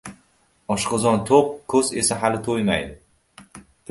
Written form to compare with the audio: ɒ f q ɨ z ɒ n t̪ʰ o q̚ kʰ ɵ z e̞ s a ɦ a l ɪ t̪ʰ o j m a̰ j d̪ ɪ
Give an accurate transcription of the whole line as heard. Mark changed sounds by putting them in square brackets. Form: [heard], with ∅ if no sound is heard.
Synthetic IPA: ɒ [ʃ] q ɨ z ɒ n t̪ʰ o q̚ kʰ ɵ z e̞ s a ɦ a l ɪ t̪ʰ o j m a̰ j d̪ ɪ